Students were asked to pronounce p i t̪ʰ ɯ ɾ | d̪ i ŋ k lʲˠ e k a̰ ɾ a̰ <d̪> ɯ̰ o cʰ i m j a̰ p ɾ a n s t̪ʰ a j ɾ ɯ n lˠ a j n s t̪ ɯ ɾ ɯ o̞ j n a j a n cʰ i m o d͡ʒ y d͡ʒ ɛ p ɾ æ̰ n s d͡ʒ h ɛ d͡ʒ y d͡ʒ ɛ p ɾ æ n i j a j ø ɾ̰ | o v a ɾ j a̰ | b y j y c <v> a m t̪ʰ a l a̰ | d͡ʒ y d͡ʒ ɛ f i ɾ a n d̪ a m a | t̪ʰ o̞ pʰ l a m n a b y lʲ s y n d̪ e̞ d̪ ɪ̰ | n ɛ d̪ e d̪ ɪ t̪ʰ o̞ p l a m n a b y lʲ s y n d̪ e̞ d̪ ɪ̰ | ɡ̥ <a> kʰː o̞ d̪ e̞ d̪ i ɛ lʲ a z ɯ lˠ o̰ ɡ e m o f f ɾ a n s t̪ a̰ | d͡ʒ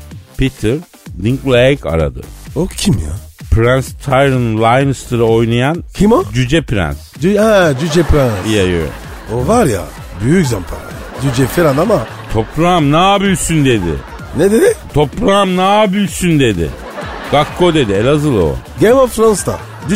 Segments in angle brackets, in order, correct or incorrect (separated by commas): correct, incorrect, correct